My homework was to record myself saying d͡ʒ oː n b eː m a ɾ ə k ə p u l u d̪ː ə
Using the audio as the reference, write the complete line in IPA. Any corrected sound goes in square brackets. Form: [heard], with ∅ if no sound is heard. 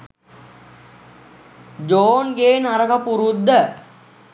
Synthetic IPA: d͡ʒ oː n [ɡ] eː [n] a ɾ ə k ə p u [ɾ] u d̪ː ə